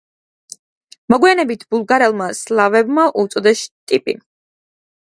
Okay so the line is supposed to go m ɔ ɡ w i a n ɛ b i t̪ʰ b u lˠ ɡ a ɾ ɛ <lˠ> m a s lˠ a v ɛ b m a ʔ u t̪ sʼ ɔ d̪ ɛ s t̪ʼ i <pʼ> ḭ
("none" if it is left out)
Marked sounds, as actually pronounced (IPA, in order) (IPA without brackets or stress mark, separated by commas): lˠ, pʼ